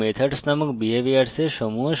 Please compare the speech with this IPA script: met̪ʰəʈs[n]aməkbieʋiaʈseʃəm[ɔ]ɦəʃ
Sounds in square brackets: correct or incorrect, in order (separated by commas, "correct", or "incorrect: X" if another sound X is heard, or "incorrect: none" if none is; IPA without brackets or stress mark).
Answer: correct, incorrect: u